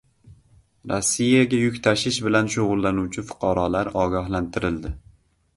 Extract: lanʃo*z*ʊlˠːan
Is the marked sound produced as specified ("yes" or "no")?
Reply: no